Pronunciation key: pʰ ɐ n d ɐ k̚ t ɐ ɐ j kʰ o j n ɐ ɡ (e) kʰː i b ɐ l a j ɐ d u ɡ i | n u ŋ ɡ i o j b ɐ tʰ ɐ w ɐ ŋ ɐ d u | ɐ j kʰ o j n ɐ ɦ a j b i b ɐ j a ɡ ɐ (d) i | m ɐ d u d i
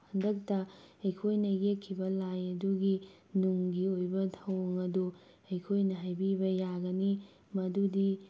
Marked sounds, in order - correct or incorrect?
correct, incorrect

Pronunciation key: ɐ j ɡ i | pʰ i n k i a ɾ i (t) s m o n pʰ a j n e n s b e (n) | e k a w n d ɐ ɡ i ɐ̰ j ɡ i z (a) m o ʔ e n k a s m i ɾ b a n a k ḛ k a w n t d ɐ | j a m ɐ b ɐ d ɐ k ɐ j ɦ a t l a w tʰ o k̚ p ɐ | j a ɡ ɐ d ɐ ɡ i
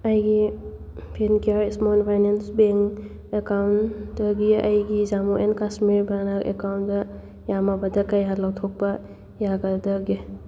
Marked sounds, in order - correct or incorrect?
incorrect, incorrect, correct

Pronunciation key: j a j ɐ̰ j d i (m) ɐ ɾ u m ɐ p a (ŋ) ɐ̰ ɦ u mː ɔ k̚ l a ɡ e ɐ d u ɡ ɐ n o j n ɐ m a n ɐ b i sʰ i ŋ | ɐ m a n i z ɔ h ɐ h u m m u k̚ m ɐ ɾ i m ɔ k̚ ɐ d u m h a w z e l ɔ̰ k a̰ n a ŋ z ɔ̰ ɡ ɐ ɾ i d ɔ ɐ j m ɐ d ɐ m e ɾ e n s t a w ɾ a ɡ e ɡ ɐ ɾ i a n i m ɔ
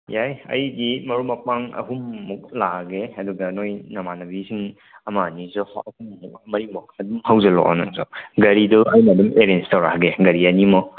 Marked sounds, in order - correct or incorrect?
correct, correct

